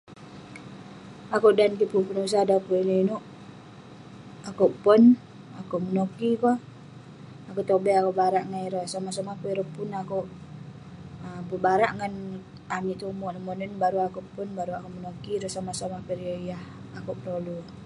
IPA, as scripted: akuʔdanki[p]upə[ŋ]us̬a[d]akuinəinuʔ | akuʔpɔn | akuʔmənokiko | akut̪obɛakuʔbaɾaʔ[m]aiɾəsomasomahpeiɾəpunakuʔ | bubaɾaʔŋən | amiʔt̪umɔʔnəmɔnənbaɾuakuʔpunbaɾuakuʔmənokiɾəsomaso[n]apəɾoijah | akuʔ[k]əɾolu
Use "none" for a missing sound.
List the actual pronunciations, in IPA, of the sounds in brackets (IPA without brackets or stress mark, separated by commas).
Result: p, n, d, ŋ, m, p